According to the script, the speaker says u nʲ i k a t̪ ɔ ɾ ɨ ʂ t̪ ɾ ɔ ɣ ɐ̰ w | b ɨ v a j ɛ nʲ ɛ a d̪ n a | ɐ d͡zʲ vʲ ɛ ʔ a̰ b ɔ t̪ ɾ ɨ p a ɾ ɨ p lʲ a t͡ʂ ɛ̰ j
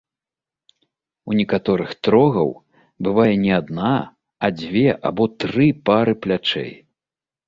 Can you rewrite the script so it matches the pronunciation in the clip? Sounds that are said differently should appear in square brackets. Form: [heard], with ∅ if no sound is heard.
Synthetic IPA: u nʲ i k a t̪ ɔ ɾ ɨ [x] t̪ ɾ ɔ ɣ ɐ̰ w | b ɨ v a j ɛ nʲ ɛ a d̪ n a | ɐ d͡zʲ vʲ ɛ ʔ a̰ b ɔ t̪ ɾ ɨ p a ɾ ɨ p lʲ a t͡ʂ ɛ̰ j